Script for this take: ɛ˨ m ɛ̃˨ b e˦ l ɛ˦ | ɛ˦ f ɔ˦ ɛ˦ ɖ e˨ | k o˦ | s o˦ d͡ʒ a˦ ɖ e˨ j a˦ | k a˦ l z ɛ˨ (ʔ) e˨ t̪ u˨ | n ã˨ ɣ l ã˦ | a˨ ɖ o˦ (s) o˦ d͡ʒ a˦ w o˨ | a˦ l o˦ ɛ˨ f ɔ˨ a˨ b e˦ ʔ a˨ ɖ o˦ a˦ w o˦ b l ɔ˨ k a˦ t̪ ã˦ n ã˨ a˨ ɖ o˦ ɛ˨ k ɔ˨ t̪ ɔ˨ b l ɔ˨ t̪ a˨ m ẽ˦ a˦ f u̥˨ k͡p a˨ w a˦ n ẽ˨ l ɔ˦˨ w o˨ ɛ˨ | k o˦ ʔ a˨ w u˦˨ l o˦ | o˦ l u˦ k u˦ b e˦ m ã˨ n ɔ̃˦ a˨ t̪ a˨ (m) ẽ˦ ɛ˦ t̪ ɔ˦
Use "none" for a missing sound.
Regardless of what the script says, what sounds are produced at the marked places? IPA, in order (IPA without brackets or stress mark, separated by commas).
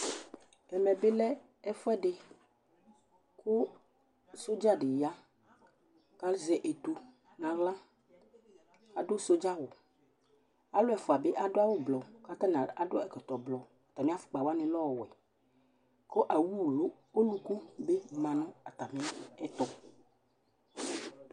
ʔ, s, m